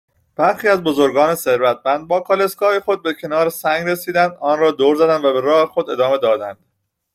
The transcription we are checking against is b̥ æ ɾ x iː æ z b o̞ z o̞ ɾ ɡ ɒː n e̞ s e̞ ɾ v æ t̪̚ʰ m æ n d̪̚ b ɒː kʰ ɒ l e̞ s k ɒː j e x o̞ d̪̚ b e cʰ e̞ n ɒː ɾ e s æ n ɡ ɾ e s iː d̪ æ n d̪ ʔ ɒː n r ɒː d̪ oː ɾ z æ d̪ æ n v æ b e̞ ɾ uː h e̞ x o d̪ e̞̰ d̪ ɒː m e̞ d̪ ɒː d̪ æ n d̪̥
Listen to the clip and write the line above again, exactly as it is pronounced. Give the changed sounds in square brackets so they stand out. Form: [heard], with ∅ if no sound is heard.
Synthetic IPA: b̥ æ ɾ x iː æ z b o̞ z o̞ ɾ ɡ ɒː n e̞ s e̞ ɾ v æ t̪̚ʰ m æ n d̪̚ b ɒː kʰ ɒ l e̞ s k ɒː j e x o̞ d̪̚ b e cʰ e̞ n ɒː ɾ e s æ [ŋ] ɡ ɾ e s iː d̪ æ n d̪ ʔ ɒː n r ɒː d̪ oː ɾ z æ d̪ æ n v æ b e̞ ɾ [ɒː] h e̞ x o d̪ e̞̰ d̪ ɒː m e̞ d̪ ɒː d̪ æ n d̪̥